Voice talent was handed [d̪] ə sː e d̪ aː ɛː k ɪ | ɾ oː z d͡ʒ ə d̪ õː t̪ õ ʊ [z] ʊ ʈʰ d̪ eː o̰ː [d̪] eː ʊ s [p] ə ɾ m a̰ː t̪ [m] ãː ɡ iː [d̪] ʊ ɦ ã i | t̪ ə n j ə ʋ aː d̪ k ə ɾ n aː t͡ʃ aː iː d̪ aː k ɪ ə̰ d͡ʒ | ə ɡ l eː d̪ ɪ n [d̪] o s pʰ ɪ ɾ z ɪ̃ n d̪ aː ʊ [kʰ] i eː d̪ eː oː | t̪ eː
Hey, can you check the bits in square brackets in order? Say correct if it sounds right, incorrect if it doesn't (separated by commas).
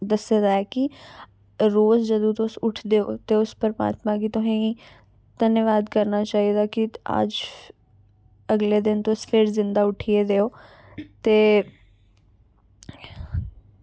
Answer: correct, incorrect, incorrect, correct, correct, incorrect, incorrect, incorrect